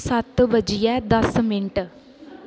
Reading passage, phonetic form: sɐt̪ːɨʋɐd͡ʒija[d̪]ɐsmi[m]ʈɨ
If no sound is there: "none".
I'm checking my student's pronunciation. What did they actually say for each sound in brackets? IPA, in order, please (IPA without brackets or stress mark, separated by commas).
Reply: d̪, ɳ